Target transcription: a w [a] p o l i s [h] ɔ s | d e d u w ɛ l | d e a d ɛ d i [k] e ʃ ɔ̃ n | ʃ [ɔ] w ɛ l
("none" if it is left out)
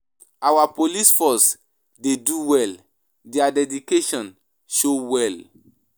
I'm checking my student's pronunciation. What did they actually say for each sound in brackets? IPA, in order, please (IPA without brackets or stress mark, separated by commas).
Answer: a, f, k, o